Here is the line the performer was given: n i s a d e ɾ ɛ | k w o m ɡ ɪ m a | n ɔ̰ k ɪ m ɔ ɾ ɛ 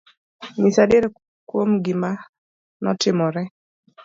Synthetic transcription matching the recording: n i s a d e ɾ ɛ | k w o m ɡ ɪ m a | n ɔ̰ t ɪ m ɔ ɾ ɛ

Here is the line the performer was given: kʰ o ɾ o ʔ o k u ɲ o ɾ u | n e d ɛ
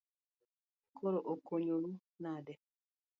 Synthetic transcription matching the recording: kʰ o ɾ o ʔ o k o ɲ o ɾ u | n a d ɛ

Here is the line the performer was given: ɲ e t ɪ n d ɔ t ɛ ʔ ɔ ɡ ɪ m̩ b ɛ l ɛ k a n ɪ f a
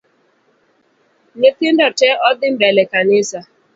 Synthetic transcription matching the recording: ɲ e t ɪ n d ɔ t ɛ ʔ ɔ d ɪ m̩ b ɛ l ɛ k a n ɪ s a

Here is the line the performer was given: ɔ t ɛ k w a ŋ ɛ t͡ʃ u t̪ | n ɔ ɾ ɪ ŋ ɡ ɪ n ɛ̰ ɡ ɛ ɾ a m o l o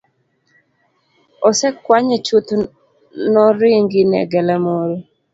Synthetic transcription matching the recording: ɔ s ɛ k w a ɲ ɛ t͡ʃ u t̪ | n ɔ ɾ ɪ ŋ ɡ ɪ n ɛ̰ ɡ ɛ l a m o ɾ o

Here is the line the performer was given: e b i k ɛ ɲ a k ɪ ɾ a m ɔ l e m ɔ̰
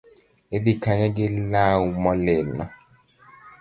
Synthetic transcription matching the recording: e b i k a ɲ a ɡ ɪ l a m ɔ l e n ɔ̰

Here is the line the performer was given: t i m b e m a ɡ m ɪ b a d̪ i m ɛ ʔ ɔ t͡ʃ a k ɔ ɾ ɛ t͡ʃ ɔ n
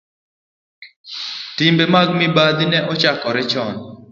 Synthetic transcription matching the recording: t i m b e m a ɡ m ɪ b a d̪ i n ɛ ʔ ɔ t͡ʃ a k ɔ ɾ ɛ t͡ʃ ɔ n

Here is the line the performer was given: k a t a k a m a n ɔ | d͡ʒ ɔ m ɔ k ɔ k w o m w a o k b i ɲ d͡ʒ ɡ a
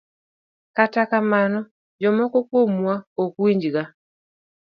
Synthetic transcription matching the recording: k a t a k a m a n ɔ | d͡ʒ ɔ m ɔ k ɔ k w o m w a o k w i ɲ d͡ʒ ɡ a

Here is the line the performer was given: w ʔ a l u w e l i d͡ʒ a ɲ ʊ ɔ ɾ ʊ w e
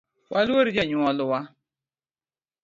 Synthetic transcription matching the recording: w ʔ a l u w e ɾ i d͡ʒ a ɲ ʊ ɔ l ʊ w a

